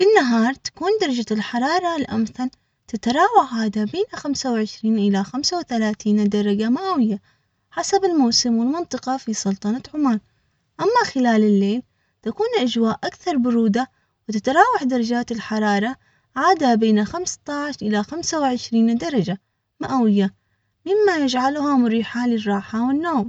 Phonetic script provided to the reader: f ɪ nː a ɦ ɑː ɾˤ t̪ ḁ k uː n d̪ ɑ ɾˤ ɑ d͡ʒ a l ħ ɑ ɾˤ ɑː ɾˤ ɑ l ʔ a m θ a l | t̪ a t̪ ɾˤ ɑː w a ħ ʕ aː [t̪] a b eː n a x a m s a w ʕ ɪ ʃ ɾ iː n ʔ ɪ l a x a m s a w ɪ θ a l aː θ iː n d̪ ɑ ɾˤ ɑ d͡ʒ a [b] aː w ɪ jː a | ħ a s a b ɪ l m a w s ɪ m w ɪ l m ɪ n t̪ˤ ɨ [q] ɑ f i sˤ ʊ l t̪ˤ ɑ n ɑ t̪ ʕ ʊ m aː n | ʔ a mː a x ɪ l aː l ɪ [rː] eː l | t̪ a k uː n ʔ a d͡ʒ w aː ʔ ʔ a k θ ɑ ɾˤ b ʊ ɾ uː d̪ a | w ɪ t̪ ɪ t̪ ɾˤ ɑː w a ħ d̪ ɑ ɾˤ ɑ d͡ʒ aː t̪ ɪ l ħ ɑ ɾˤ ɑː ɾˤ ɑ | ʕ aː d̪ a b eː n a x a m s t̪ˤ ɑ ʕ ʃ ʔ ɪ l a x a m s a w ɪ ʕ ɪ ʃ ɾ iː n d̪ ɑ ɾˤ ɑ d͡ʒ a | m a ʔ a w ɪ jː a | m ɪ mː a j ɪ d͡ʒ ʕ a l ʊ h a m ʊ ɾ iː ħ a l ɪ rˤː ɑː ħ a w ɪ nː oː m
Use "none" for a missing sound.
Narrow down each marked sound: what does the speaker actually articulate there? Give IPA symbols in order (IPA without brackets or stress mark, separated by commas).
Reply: d̪, m, q, lː